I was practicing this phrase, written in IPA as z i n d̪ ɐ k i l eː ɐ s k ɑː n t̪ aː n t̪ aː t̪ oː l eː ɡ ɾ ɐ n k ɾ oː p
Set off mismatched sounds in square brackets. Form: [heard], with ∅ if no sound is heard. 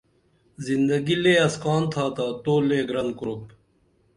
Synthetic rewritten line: z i n d̪ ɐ [ɡ] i l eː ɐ s k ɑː n [t̪ʰ] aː [∅] t̪ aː t̪ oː l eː ɡ ɾ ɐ n k ɾ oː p